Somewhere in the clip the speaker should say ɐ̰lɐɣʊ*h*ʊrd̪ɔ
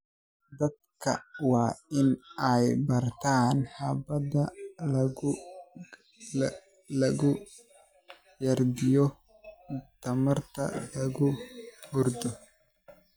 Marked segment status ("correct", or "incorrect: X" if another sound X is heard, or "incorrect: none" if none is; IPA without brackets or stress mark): correct